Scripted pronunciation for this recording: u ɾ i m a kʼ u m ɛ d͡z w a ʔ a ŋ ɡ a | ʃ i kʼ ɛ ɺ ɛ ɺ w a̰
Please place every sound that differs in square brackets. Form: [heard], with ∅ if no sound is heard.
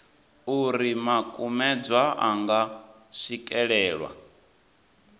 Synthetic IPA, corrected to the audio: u ɾ i m a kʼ u m ɛ d͡z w a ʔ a ŋ ɡ a | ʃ i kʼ ɛ ɺ [ɛː] ɺ w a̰